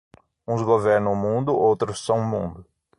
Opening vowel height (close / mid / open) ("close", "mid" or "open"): close